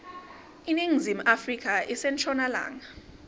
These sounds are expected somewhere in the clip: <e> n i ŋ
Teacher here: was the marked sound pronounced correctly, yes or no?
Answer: no